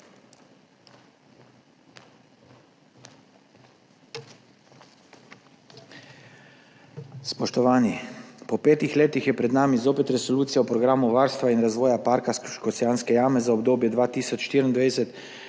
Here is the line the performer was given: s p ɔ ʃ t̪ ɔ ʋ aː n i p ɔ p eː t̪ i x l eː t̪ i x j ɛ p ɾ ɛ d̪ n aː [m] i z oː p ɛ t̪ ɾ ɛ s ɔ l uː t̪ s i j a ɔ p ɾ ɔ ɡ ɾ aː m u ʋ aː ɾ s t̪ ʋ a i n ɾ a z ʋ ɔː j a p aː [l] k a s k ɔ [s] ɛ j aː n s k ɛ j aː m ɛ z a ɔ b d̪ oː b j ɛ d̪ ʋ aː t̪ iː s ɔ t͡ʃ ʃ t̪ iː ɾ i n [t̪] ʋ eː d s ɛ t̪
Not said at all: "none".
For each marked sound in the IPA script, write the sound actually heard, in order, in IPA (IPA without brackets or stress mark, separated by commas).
m, ɾ, s, d̪